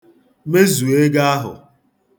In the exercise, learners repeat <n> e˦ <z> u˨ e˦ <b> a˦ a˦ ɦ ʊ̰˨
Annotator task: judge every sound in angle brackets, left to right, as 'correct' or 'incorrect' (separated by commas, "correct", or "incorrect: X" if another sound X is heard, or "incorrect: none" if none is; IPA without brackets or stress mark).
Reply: incorrect: m, correct, incorrect: ɡ